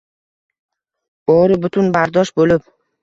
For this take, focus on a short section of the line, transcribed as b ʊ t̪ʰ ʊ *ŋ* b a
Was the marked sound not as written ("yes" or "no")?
yes